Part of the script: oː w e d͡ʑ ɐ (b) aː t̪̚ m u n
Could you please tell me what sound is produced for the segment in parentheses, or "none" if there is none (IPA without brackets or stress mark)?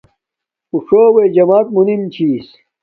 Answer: m